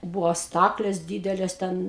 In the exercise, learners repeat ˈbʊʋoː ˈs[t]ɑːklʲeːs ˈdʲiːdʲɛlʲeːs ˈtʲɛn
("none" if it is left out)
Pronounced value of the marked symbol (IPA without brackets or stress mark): t